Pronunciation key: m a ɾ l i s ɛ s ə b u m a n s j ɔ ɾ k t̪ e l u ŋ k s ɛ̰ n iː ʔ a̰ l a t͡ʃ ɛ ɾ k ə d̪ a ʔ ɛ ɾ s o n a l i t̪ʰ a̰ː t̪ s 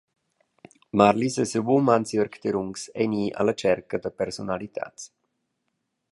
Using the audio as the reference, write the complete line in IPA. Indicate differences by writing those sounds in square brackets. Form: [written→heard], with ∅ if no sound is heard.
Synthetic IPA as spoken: m a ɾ l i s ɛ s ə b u m a n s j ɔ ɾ k t̪ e [l→ɾ] u ŋ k s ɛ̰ n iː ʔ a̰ l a t͡ʃ ɛ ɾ k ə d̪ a [ʔ→p] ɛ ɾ s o n a l i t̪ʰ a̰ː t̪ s